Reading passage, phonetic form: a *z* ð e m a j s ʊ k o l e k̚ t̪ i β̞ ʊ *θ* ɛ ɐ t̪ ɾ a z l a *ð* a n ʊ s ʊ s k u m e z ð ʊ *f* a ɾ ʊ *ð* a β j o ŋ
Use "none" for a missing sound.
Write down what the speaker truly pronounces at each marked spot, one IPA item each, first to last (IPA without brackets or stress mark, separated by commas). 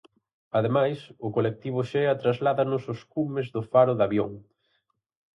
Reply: none, ʃ, ð, f, ð